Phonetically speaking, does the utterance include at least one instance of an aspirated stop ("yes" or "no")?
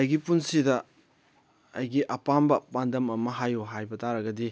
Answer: no